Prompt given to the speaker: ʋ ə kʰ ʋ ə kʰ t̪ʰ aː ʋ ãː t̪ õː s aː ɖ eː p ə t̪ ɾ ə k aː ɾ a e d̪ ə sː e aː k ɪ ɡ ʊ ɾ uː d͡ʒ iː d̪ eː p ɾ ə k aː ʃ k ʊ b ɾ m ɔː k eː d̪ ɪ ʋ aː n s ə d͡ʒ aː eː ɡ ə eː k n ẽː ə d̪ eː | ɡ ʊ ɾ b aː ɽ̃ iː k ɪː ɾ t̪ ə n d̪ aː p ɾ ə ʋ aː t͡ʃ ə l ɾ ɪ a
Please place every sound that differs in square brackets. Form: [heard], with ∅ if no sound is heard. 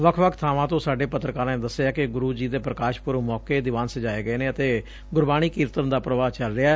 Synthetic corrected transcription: ʋ ə kʰ ʋ ə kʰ t̪ʰ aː ʋ ãː t̪ õː s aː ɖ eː p ə t̪ ɾ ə k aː ɾ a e d̪ ə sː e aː k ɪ ɡ ʊ ɾ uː d͡ʒ iː d̪ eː p ɾ ə k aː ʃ [p] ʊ [∅] ɾ m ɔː k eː d̪ ɪ ʋ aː n s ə d͡ʒ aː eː ɡ ə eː [∅] n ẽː ə [t̪] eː | ɡ ʊ ɾ b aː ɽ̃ iː k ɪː ɾ t̪ ə n d̪ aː p ɾ ə ʋ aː t͡ʃ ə l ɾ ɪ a